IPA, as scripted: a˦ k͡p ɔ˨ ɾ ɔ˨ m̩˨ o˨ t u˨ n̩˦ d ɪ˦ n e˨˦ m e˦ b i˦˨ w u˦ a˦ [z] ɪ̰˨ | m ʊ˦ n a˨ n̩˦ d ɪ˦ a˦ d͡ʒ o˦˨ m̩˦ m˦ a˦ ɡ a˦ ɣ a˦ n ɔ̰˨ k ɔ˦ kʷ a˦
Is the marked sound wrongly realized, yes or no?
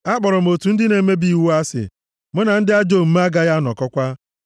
yes